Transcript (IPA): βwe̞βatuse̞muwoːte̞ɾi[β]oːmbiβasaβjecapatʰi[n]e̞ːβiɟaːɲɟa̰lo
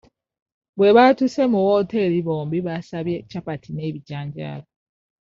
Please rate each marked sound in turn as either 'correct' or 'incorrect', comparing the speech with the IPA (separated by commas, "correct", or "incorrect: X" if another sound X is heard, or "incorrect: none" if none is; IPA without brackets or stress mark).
correct, correct